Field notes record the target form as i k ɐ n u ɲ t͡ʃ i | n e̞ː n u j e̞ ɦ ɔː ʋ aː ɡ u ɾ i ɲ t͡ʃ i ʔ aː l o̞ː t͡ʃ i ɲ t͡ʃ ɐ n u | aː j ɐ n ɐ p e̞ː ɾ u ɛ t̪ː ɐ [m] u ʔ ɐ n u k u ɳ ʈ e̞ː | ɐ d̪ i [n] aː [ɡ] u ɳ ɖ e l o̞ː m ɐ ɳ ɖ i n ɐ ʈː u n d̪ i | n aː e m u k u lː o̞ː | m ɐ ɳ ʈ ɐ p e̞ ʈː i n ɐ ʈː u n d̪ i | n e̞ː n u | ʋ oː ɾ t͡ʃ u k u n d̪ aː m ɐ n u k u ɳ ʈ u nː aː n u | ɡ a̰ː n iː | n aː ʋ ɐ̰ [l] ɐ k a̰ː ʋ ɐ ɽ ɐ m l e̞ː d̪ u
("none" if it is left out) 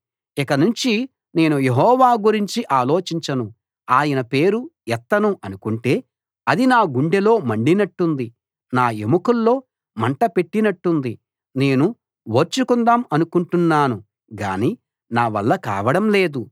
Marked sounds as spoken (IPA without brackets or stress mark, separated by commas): n, n, ɡ, lː